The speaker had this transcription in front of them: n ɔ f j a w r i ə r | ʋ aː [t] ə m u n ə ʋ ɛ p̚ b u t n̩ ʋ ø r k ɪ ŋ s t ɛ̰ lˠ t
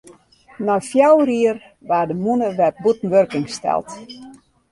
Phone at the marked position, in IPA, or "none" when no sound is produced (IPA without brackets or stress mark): d